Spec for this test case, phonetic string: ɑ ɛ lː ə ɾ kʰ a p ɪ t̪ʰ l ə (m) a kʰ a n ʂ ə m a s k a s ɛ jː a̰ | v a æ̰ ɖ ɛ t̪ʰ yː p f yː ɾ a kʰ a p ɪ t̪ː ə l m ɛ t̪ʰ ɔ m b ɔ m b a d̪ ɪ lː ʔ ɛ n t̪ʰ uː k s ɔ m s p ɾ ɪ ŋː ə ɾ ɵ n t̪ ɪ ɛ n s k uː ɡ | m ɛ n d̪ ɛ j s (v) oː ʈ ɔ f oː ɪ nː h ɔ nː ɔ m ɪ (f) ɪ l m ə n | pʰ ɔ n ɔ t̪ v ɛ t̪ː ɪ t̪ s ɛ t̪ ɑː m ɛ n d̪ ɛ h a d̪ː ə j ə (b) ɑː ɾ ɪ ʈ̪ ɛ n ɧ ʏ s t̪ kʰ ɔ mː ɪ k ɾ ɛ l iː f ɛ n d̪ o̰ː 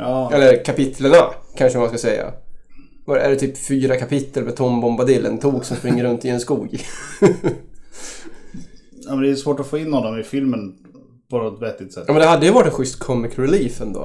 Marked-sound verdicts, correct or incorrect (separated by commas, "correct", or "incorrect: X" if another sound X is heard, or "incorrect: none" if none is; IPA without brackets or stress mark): incorrect: ɳ, correct, correct, incorrect: v